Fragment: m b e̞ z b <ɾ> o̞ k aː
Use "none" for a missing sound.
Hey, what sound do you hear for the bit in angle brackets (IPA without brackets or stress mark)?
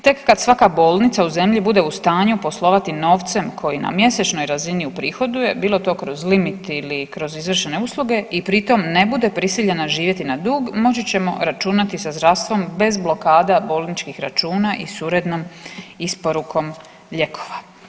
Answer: l